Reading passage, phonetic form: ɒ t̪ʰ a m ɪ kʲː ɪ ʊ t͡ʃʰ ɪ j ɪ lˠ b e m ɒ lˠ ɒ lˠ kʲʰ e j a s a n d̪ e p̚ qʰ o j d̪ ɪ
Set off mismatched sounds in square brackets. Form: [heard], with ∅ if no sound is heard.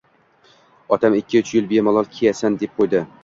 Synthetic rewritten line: ɒ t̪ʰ a m ɪ kʲː ɪ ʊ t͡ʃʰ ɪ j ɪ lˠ b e m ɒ lˠ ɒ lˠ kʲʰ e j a s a n d̪ e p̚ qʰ o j d̪ ɪ